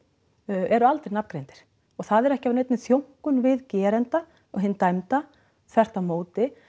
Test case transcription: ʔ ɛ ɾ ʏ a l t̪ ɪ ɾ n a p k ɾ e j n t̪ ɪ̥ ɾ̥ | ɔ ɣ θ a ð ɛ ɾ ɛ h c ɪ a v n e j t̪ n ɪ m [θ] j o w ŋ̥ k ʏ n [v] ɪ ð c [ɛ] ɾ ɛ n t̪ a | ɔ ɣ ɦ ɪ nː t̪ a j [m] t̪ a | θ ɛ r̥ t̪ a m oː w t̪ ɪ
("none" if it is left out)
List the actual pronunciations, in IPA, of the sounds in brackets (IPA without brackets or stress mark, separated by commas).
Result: θ, v, ɛː, m